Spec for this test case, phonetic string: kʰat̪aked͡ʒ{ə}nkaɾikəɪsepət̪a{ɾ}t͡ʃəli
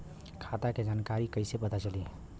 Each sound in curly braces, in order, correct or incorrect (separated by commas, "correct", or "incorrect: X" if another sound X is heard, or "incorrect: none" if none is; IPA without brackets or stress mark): incorrect: a, incorrect: none